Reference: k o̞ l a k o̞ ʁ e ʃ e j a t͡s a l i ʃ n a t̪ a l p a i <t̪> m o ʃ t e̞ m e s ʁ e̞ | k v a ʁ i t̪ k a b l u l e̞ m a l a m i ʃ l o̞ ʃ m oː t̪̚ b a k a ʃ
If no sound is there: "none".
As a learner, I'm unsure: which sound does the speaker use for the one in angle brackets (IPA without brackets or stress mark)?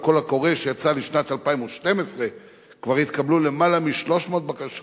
none